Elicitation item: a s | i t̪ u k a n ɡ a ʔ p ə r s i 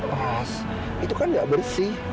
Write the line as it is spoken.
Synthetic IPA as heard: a s | i t̪ u k a n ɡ a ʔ b ə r s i